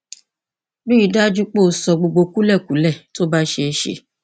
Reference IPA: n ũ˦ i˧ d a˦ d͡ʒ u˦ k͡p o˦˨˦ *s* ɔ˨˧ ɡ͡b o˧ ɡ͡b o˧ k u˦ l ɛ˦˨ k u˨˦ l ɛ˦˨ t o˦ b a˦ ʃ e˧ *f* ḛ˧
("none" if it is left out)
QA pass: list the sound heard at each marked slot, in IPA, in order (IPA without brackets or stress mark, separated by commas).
s, ʃ